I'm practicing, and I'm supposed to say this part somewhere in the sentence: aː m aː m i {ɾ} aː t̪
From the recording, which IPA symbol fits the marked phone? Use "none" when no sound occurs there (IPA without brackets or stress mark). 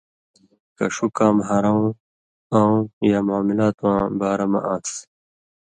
l